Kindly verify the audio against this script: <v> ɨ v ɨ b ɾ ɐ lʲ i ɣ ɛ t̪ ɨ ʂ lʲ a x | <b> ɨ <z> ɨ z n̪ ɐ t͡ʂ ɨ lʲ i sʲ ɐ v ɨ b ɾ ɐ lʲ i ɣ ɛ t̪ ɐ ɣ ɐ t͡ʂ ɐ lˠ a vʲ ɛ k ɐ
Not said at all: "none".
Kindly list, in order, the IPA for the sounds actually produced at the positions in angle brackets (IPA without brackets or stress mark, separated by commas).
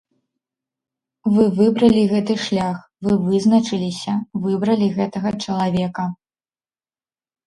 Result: v, v, v